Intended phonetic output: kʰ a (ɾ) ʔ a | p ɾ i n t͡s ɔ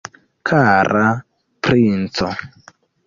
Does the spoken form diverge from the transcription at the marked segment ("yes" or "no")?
no